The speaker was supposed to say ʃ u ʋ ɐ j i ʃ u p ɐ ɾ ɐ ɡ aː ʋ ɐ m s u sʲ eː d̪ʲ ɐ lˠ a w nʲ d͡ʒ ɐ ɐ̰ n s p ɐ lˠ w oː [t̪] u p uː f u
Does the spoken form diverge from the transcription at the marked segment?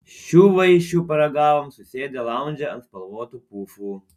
no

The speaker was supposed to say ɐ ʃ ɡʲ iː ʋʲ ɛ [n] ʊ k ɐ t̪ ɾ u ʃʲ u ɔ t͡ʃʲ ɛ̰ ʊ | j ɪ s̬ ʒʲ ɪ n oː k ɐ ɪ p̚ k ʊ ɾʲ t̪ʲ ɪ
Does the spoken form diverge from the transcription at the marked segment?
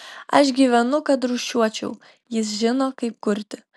no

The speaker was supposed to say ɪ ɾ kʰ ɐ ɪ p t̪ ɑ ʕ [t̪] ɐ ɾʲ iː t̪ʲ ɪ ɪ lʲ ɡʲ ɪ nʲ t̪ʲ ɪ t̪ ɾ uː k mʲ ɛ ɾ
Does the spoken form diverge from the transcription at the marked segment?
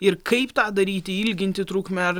yes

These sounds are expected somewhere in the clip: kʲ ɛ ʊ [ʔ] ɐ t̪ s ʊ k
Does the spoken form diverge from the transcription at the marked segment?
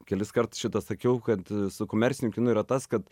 yes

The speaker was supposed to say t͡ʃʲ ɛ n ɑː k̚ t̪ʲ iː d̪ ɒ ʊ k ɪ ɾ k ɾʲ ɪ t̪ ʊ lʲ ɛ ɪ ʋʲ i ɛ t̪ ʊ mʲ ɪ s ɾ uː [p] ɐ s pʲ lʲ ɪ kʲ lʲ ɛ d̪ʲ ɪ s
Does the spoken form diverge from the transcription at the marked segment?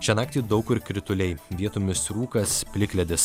yes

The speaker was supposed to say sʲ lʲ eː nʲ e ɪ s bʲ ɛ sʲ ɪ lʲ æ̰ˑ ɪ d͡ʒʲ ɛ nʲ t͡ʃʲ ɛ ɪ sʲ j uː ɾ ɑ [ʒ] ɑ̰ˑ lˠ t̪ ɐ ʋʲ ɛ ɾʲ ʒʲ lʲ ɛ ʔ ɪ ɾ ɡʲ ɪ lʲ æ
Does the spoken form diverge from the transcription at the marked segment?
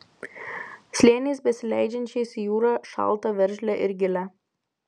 yes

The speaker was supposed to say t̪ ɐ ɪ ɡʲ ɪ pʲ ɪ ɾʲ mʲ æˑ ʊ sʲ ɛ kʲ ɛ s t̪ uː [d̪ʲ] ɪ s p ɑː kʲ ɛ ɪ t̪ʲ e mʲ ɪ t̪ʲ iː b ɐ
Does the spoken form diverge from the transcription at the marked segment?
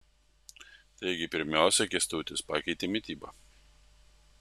yes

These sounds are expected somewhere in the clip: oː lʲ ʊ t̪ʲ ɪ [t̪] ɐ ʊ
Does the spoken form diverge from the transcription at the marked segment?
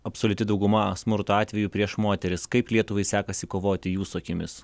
yes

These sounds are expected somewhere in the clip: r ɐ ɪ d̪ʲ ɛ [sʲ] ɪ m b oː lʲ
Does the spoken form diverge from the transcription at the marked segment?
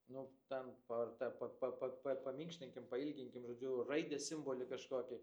no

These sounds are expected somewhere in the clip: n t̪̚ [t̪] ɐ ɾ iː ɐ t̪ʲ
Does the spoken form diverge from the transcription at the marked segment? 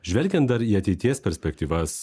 yes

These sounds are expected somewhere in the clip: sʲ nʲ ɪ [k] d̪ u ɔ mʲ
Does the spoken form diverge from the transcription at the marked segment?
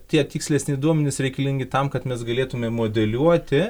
yes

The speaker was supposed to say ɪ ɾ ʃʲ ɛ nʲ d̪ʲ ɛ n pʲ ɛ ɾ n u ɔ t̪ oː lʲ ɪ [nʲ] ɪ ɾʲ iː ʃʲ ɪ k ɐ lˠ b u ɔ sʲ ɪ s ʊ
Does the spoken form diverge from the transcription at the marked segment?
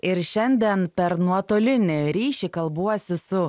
no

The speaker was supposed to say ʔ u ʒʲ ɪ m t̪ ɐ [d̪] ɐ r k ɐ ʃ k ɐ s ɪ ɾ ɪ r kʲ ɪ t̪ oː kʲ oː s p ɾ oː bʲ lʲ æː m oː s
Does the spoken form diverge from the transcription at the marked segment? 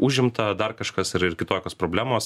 no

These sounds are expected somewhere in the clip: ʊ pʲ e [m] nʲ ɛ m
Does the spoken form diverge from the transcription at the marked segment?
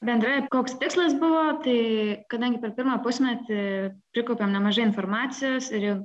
no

